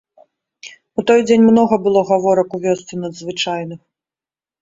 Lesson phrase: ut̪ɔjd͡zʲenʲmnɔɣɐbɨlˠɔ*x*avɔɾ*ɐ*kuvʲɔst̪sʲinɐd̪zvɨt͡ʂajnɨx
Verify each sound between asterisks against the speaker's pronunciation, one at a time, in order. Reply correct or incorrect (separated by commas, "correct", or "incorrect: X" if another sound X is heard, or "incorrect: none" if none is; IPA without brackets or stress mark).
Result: incorrect: ɣ, correct